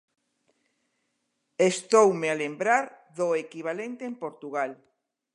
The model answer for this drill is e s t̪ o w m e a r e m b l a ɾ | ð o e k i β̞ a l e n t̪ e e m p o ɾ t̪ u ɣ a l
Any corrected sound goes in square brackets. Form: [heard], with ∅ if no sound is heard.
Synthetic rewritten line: e s t̪ o w m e a [l] e m b [ɾ] a ɾ | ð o e k i β̞ a l e n t̪ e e m p o ɾ t̪ u ɣ a l